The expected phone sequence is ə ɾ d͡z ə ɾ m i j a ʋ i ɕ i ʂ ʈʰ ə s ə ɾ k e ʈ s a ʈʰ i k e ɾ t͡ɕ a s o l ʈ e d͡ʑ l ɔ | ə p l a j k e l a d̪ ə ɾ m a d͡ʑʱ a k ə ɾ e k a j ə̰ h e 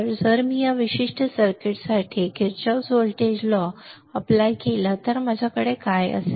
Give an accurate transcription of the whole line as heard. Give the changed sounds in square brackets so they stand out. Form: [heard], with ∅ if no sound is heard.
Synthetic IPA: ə ɾ d͡z ə ɾ m i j a ʋ i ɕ i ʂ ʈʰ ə s ə ɾ k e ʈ s a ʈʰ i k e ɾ t͡ɕ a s o l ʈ e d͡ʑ l ɔ | ə p l a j k e l a [t̪] ə ɾ m a d͡ʑʱ a k ə [ɽ] e k a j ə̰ [s] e